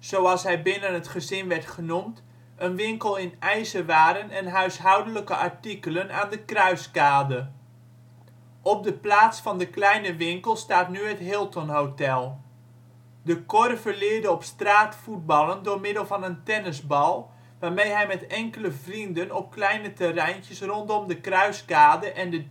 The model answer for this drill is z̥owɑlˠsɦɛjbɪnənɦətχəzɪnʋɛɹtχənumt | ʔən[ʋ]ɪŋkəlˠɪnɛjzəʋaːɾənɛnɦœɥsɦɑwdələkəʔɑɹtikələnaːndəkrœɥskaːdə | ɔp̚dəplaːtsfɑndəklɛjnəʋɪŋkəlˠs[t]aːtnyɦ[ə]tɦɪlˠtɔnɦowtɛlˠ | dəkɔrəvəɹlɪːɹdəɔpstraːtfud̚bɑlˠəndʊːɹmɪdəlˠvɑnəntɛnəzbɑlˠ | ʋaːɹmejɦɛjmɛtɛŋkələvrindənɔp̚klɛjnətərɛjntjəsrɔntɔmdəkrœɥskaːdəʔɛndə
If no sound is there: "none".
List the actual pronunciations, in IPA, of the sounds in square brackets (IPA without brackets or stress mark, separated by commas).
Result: ʋ, t, ə